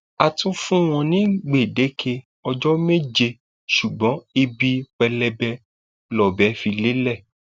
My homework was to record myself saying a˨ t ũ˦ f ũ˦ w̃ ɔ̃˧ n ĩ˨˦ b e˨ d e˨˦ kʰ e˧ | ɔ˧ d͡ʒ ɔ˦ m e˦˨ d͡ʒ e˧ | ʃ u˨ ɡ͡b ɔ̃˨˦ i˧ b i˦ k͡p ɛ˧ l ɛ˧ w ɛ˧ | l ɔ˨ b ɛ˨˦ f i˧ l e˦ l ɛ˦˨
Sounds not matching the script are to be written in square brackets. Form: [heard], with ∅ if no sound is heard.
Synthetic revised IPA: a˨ t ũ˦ f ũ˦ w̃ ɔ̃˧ n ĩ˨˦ [ɡ͡b] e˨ d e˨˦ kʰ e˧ | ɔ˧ d͡ʒ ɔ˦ m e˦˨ d͡ʒ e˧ | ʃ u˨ ɡ͡b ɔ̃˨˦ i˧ b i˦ k͡p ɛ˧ l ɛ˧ [b] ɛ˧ | l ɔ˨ b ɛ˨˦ f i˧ l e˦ l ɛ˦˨